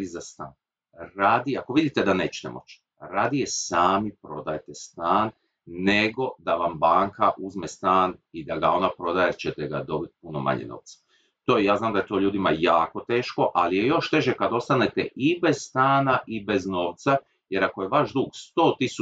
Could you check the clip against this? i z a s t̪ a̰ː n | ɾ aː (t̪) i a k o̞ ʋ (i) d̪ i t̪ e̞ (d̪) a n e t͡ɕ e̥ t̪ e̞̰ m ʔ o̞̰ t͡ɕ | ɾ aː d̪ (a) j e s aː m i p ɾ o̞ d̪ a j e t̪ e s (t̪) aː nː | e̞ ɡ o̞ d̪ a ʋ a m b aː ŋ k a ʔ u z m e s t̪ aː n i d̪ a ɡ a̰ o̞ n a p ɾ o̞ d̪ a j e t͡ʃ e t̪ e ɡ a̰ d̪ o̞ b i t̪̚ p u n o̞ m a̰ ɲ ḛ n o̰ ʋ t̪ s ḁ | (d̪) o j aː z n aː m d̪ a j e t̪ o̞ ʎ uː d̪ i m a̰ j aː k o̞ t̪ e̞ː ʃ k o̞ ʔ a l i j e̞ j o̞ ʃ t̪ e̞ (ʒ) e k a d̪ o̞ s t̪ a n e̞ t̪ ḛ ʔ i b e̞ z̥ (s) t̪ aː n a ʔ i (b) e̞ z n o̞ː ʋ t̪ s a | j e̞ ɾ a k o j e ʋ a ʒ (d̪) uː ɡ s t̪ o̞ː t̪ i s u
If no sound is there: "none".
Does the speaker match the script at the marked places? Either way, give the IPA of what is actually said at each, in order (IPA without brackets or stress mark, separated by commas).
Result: d̪, i, d̪, i, t̪, t̪, ʒ, s, b, d̪